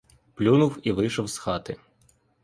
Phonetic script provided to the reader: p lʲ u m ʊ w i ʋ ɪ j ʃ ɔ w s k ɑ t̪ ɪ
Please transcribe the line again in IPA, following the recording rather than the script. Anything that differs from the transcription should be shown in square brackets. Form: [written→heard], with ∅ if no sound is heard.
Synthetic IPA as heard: p lʲ u [m→n] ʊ w i ʋ ɪ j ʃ ɔ w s [k→x] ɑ t̪ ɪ